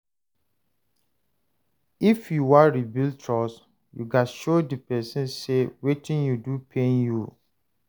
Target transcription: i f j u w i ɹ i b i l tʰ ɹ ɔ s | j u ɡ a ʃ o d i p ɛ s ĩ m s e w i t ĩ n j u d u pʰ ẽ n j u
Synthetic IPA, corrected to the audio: i f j u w a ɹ i b i l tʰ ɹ ɔ s | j u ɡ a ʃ o d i p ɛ s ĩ n s e w e t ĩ n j u d u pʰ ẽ n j u